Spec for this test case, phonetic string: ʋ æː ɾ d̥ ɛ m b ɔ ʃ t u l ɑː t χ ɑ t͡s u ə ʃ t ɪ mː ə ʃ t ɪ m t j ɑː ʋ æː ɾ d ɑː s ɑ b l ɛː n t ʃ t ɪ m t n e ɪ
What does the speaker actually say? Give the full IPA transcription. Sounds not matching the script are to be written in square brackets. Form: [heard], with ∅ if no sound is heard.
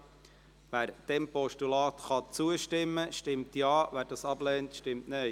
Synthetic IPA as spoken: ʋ æː ɾ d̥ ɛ m [p] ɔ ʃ t u l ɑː t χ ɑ t͡s u ə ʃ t ɪ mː ə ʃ t ɪ m t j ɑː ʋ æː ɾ d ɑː s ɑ b l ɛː n t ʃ t ɪ m t n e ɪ